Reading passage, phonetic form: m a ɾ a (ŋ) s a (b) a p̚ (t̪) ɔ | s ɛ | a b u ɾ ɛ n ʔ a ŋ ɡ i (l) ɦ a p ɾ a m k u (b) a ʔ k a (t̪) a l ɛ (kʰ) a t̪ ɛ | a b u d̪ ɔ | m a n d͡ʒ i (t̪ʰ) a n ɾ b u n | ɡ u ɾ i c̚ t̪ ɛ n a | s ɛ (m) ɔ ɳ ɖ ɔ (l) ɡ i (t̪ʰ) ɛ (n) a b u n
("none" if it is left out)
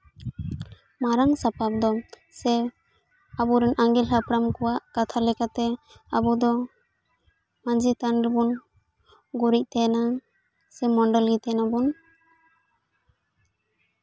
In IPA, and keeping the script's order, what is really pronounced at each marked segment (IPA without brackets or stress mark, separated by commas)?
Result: ŋ, p, d̪, l, w, t̪ʰ, k, t̪, m, l, t̪, n